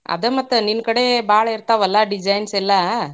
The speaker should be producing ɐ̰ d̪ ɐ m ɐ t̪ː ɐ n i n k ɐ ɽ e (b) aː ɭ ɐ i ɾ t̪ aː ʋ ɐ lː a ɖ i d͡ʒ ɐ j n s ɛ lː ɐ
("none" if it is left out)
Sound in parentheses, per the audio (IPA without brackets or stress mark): b